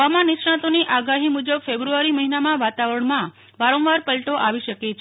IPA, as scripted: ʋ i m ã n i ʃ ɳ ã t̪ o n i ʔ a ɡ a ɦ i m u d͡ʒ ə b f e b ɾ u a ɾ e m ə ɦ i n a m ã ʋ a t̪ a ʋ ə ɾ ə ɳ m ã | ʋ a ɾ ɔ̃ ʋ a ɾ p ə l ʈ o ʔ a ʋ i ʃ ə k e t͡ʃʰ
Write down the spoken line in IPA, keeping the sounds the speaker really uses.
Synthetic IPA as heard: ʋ a m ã n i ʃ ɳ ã t̪ o n i ʔ a ɡ a ɦ i m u d͡ʒ ə b f e b ɾ u a ɾ i m ə ɦ i n a m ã ʋ a t̪ a ʋ ə ɾ ə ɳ m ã | ʋ a ɾ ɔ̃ ʋ a ɾ p ə l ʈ o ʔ a ʋ i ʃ ə k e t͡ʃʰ